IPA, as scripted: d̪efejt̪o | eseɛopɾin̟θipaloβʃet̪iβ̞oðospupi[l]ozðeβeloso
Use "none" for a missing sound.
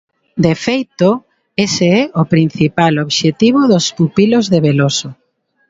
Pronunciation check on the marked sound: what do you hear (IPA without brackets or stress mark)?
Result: l